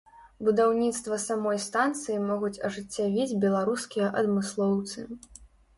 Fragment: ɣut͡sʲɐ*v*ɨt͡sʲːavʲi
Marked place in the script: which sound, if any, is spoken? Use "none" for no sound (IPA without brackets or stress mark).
ʐ